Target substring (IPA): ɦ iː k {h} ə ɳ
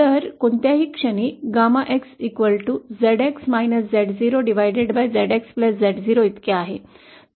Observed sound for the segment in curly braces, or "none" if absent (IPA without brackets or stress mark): ʂ